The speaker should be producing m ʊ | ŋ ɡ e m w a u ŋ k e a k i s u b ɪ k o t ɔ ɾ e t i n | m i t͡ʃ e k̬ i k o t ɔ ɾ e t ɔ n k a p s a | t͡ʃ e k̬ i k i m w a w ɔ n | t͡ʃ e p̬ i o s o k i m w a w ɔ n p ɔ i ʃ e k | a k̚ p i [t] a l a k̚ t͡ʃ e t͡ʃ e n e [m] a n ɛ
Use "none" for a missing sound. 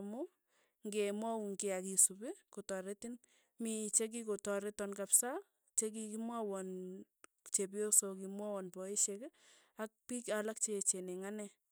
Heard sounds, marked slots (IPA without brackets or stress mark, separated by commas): k, ŋ